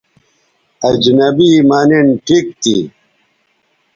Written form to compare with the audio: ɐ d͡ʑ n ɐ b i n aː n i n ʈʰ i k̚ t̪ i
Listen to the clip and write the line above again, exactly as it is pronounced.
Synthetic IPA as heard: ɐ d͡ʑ n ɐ b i m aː n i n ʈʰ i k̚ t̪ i

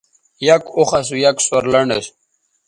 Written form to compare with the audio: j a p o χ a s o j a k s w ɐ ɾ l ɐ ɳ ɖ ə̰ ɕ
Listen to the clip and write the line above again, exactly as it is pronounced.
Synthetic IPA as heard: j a k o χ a s u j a k s w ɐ ɾ l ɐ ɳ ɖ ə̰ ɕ

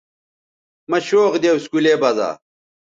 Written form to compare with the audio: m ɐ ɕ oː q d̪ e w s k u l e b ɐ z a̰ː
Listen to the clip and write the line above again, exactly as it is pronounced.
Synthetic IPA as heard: m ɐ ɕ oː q d̪ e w s k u l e b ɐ z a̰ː

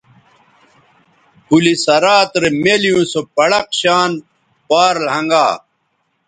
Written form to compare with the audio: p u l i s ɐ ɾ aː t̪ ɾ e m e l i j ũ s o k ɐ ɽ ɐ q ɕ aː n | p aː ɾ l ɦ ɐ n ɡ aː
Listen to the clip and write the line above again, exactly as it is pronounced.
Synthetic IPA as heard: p u l i s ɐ ɾ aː t̪ ɾ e m e l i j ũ s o p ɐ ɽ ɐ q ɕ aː n | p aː ɾ l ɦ ɐ ŋ ɡ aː

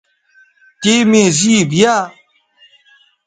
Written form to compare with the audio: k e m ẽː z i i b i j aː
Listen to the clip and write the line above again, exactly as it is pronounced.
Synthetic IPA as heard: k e m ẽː z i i b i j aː

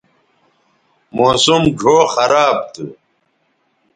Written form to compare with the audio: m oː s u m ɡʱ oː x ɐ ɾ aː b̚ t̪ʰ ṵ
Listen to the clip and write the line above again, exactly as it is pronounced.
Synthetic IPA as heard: m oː s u m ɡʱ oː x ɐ ɾ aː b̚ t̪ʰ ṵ

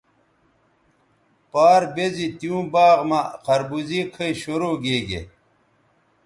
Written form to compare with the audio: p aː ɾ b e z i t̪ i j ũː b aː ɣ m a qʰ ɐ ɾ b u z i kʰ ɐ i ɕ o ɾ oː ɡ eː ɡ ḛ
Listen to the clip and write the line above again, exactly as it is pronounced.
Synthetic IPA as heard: p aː ɾ b e z i t̪ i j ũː b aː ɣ m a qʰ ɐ ɾ b u z i kʰ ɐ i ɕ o ɾ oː ɡ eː ɡ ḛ

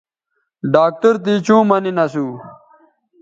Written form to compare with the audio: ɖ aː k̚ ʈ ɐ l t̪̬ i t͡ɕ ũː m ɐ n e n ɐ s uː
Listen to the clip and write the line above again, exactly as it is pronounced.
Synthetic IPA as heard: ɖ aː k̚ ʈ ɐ ɾ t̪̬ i t͡ɕ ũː m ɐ n i n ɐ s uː

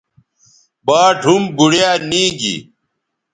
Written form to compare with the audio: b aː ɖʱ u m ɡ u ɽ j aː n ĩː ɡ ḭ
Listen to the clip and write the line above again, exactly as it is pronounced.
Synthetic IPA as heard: b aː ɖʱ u m b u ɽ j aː n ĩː ɡ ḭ

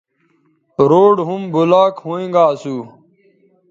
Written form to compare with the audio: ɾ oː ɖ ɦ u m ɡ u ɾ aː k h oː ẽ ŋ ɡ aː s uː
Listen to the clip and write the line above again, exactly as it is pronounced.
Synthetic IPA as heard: ɾ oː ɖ ɦ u m b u l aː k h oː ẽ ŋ ɡ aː s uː

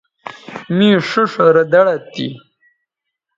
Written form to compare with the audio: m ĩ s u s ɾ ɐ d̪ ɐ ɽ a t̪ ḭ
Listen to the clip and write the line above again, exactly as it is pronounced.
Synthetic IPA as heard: m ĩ ʂ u ʂ ɾ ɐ d̪ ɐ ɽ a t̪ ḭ

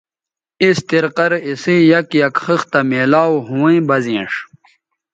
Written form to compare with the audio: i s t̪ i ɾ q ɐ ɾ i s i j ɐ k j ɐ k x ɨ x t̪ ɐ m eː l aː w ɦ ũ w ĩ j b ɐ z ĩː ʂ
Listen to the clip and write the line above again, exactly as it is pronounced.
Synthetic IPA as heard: i s t̪ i ɾ q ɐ ɾ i s i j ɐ k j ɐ k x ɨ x t̪ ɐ m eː l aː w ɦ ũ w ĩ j b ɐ z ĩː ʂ

